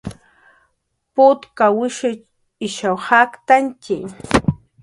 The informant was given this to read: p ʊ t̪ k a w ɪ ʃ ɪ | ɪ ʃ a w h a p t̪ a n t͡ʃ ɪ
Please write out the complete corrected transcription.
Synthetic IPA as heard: p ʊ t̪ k a w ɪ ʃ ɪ | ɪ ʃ a w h a k t̪ a n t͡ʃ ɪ